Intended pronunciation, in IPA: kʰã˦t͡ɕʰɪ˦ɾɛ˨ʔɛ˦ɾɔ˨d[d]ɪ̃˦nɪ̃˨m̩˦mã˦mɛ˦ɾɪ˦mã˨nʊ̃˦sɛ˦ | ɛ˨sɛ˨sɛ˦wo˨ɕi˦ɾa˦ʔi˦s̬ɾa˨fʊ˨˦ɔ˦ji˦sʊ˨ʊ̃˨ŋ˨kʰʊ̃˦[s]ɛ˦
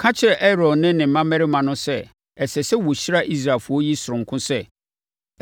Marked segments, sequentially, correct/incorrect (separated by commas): incorrect, correct